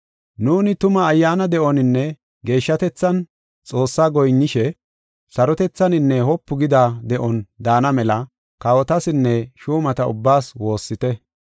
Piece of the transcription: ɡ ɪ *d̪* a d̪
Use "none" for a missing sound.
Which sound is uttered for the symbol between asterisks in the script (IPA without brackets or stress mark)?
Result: d̪